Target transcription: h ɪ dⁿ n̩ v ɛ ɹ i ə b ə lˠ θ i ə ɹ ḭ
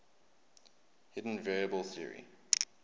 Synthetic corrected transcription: h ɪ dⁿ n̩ v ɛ ɹ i ə b ə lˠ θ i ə ɹ ḭ